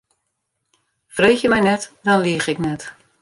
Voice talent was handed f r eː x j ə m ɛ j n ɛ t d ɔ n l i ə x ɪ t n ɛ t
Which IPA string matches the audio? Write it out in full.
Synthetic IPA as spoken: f r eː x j ə m ɛ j n ɛ t d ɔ n l i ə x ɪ k n ɛ t